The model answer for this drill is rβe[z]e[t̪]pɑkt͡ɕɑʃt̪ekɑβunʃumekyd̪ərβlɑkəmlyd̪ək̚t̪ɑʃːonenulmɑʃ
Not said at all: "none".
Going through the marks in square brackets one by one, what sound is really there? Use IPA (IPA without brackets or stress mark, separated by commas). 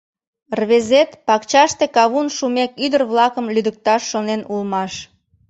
z, t̪